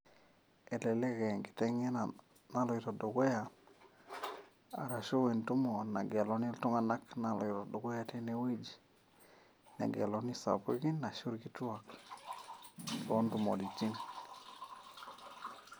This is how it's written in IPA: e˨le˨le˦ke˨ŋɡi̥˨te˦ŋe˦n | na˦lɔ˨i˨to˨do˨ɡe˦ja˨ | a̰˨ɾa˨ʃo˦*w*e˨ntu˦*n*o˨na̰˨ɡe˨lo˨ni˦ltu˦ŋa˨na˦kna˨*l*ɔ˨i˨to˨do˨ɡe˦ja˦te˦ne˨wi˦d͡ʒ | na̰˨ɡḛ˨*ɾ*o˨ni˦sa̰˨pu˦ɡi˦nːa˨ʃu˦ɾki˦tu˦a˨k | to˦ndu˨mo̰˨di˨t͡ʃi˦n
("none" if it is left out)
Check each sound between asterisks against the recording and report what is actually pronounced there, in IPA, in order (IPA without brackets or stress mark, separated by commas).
w, m, l, l